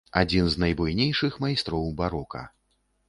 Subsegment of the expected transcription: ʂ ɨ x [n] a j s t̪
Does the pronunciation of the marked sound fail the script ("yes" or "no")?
yes